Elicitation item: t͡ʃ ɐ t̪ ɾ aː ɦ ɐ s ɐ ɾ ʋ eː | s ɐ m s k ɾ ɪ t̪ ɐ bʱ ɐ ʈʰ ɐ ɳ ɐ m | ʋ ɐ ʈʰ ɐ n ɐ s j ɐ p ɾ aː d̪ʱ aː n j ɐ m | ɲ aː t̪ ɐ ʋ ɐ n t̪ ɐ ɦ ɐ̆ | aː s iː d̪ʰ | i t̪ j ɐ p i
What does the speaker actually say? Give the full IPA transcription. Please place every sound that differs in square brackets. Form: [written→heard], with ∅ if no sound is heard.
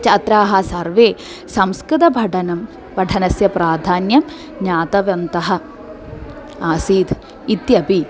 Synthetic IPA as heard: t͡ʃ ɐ t̪ ɾ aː ɦ ɐ s ɐ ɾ ʋ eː | s ɐ m s k ɾ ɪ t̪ ɐ bʱ ɐ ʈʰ ɐ [ɳ→n] ɐ m | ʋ ɐ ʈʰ ɐ n ɐ s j ɐ p ɾ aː d̪ʱ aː n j ɐ m | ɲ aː t̪ ɐ ʋ ɐ n t̪ ɐ ɦ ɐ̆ | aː s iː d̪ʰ | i t̪ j ɐ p i